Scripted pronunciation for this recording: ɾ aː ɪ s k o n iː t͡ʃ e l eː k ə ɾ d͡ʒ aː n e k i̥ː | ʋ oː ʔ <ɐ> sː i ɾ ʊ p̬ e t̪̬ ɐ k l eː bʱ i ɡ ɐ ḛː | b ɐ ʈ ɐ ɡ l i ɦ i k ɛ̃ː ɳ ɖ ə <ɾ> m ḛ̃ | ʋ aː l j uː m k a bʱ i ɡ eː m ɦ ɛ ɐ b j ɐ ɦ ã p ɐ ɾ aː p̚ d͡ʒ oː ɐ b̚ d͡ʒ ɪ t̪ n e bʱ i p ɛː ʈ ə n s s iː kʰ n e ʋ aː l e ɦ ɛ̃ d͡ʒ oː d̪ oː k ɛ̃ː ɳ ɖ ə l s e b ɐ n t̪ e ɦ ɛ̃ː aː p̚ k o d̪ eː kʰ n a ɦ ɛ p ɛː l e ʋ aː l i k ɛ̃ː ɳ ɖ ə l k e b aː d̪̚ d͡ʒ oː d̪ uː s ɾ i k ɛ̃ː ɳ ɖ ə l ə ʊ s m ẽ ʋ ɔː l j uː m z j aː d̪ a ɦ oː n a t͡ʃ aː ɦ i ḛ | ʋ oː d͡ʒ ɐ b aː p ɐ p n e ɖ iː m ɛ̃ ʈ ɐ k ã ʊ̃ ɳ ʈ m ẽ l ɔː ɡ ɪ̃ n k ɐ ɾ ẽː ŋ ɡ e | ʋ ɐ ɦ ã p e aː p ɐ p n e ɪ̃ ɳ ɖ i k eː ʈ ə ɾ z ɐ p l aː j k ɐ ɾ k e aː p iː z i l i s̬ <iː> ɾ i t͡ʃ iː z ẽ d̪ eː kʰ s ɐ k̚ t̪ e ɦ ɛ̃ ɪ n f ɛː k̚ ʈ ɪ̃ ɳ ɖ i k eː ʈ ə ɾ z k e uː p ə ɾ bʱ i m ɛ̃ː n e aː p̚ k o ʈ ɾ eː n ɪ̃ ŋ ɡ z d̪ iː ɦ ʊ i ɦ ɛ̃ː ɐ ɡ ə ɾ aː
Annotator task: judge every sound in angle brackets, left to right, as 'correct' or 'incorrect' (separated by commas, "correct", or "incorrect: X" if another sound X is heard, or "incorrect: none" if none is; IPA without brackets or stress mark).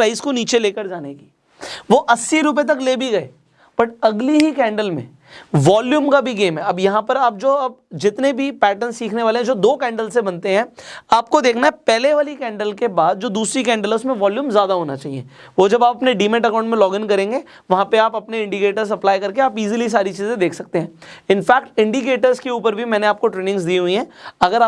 correct, incorrect: l, incorrect: aː